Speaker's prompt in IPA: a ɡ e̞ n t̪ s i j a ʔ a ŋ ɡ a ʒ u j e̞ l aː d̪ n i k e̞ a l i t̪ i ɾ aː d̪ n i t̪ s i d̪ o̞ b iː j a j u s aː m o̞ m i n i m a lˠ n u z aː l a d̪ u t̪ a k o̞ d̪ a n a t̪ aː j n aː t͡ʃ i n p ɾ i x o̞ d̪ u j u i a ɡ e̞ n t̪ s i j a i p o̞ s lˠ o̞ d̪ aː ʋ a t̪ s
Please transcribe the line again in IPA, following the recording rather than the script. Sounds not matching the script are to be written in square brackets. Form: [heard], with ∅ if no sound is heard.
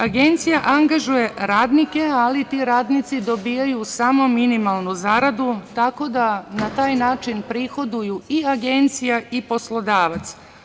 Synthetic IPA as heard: a ɡ e̞ n t̪ s i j a ʔ a ŋ ɡ a ʒ u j e̞ [ɾ] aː d̪ n i k e̞ a l i t̪ i ɾ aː d̪ n i t̪ s i d̪ o̞ b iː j a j u s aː m o̞ m i n i m a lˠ n u z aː [ɾ] a d̪ u t̪ a k o̞ d̪ a n a t̪ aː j n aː t͡ʃ i n p ɾ i x o̞ d̪ u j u i a ɡ e̞ n t̪ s i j a i p o̞ s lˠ o̞ d̪ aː ʋ a t̪ s